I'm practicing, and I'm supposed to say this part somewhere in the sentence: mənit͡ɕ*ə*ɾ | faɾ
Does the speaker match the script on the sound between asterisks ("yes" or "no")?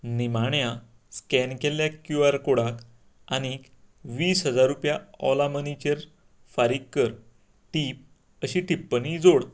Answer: yes